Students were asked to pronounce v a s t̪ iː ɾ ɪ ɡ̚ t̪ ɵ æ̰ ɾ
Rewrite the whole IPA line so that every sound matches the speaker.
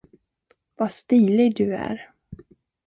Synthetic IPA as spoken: v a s t̪ iː l ɪ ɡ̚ d̪ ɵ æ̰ ɾ